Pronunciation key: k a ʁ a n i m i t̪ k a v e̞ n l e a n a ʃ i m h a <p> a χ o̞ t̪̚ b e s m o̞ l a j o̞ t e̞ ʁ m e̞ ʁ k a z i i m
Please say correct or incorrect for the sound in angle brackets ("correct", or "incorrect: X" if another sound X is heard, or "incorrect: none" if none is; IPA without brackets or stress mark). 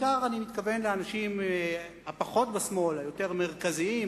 correct